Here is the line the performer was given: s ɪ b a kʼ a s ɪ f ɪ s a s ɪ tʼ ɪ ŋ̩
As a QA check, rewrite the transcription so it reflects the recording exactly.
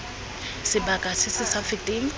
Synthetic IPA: s ɪ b a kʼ a s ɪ s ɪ s a f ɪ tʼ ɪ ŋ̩

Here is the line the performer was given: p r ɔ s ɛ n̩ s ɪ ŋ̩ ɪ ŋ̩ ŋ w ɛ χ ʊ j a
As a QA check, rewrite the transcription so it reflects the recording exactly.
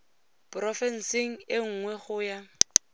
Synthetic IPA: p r ɔ f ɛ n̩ s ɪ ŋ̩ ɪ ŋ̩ ŋ w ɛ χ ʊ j a

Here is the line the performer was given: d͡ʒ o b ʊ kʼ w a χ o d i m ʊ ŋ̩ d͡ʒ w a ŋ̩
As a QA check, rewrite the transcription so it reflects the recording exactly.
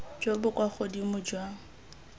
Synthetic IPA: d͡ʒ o b ʊ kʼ w a χ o d i m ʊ d͡ʒ w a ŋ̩

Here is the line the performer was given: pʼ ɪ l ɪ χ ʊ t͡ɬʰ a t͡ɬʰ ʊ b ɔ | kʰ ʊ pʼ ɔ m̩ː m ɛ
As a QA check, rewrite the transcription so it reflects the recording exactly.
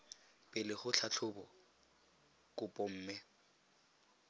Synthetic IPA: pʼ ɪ l ɪ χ ʊ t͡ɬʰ a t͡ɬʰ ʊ b ɔ | k ʊ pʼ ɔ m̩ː m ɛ

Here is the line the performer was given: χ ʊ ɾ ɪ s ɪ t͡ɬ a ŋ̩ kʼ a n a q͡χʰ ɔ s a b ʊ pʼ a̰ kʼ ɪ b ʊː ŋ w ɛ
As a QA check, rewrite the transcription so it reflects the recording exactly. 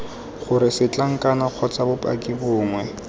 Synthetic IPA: χ ʊ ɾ ɪ s ɪ t͡ɬ a ŋ̩ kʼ a n a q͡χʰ ɔ t͡s a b ʊ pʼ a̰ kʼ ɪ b ʊː ŋ w ɛ

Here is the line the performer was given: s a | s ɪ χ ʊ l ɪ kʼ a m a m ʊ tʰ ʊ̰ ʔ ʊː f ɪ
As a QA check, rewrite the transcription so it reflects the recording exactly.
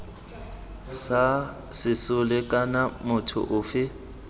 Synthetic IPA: s a | s ɪ s ʊ l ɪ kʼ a n a m ʊ tʰ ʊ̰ ʔ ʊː f ɪ

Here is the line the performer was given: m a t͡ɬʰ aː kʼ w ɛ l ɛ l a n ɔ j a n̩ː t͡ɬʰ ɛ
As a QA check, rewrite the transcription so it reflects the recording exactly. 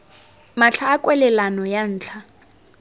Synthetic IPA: m a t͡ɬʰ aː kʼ w ɛ l ɛ l a n ɔ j a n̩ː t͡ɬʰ a

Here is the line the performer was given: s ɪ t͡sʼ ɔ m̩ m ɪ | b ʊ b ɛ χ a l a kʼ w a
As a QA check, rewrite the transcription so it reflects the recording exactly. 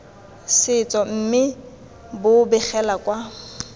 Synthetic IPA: s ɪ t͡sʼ ɔ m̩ m ɪ | b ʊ b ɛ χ ɛ l a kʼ w a

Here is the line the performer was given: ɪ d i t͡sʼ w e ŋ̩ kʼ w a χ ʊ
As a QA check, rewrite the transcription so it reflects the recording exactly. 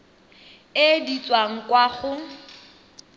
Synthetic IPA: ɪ d i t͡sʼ w a ŋ̩ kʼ w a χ ʊ

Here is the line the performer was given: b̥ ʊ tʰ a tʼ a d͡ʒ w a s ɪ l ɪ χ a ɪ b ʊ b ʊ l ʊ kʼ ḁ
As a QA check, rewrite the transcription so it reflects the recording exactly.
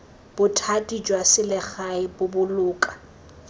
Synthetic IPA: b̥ ʊ tʰ a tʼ i d͡ʒ w a s ɪ l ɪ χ a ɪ b ʊ b ʊ l ʊː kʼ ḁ

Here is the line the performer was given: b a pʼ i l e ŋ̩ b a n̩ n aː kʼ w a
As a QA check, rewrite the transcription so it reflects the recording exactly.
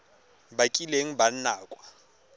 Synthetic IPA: b a kʼ i l e ŋ̩ b a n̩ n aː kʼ w a

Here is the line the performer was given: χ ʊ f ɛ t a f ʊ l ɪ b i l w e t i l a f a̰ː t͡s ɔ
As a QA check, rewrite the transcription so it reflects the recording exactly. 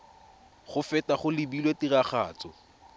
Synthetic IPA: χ ʊ f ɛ t a χ ʊ l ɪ b i l w e t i r a χ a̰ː t͡s ɔ

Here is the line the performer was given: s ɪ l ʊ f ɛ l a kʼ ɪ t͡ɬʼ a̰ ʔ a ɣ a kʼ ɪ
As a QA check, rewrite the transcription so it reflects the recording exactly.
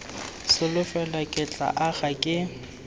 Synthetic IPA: s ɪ l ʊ f ɛ l a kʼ ɪ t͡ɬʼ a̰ ʔ a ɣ a kʼ ɪ

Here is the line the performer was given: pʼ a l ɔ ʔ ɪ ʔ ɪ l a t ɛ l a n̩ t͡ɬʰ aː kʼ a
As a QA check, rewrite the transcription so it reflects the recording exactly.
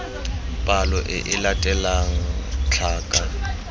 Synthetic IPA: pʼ a l ɔ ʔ ɪ ʔ ɪ l a tʼ ɛ l a ŋ̩ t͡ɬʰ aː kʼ a

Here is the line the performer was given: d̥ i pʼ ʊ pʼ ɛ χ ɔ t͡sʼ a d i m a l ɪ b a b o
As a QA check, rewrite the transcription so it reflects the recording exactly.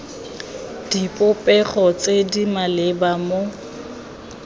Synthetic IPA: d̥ i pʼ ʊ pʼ ɛ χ ɔ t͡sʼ e d i m a l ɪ b a m o

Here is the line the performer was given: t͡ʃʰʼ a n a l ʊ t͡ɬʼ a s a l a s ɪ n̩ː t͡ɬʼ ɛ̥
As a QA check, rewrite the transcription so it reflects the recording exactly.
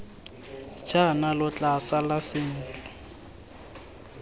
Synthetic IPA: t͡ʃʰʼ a n a l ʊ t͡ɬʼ a s a l a s ɪ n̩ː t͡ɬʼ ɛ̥

